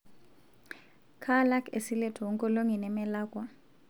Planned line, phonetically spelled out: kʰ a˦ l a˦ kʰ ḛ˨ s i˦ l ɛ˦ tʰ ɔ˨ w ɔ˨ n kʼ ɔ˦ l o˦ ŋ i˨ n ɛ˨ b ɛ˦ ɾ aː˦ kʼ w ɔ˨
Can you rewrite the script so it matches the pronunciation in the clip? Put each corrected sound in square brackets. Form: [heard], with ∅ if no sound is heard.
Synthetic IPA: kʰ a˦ l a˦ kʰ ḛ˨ s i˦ l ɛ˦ tʰ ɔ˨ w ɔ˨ [ŋ] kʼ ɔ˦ l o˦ ŋ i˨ n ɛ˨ [m] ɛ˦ [l] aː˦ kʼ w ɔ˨